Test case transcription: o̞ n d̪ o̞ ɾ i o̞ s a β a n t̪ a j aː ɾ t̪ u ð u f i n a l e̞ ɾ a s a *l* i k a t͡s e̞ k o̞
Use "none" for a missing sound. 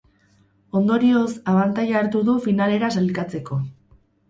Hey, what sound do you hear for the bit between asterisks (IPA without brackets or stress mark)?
l